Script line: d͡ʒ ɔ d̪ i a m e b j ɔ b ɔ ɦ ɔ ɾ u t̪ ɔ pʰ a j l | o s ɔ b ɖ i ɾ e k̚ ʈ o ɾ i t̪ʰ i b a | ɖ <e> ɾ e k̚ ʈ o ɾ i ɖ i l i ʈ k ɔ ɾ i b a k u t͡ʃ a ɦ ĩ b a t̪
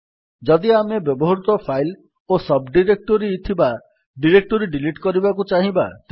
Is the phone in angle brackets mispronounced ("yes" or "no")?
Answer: yes